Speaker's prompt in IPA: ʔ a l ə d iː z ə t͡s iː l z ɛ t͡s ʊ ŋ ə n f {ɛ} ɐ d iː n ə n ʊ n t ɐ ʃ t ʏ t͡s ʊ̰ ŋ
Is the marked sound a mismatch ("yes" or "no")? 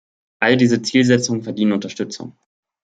no